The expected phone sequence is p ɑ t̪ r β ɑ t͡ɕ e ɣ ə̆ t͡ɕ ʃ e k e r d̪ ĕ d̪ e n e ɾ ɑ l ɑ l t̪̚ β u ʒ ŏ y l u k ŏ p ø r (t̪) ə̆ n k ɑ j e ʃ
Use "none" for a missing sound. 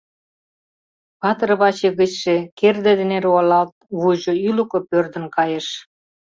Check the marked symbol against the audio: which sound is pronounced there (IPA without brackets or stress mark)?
d̪